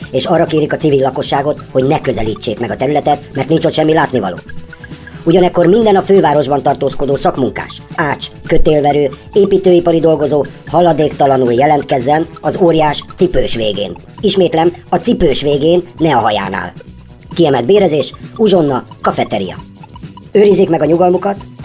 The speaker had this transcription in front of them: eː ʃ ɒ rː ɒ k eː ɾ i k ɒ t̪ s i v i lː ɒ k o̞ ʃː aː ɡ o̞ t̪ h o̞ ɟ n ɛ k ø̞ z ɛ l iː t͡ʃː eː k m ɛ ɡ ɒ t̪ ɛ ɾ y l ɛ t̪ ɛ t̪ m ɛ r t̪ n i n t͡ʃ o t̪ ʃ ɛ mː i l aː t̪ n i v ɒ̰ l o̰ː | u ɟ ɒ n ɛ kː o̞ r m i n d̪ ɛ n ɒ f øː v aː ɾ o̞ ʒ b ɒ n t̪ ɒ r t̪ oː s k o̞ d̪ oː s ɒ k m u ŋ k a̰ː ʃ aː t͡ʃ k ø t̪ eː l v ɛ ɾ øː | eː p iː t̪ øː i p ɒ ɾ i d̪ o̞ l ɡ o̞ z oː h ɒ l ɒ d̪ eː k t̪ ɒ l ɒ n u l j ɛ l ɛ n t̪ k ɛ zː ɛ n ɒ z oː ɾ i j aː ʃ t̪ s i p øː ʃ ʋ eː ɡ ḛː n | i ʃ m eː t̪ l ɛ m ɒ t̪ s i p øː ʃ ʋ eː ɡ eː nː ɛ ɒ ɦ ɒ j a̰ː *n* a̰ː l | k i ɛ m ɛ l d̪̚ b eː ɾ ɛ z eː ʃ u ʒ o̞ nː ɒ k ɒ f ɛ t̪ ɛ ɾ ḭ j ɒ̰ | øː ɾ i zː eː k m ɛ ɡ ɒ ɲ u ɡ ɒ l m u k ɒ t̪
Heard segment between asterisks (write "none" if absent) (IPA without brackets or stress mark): n